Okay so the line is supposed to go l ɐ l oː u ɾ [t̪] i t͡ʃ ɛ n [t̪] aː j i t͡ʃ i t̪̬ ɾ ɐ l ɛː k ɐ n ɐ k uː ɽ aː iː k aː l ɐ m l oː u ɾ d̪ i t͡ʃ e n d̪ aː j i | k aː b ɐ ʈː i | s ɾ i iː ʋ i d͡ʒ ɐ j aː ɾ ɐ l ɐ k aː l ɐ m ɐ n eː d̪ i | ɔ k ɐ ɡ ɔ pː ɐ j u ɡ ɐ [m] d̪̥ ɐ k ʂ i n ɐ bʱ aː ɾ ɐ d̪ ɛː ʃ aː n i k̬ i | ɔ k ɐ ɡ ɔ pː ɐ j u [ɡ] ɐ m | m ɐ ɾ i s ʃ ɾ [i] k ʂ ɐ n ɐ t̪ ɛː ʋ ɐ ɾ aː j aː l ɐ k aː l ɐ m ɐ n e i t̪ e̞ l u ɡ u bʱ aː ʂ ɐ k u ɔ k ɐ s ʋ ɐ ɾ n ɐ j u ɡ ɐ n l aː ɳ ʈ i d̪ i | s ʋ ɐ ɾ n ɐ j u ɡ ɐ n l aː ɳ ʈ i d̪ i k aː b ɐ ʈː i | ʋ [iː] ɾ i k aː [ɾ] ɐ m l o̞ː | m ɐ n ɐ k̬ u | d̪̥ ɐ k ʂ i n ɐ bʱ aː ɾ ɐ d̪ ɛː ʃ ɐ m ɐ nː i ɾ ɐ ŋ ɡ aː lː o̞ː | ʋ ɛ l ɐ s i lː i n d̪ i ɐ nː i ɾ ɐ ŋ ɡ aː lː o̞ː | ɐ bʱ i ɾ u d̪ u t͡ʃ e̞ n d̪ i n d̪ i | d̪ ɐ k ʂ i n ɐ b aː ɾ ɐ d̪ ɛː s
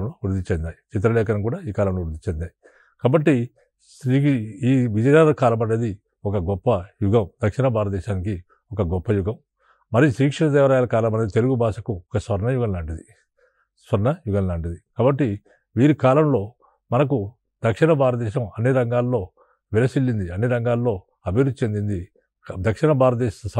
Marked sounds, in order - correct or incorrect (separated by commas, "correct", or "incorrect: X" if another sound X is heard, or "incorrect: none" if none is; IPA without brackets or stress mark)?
incorrect: d̪, incorrect: d̪, correct, correct, incorrect: iː, correct, incorrect: l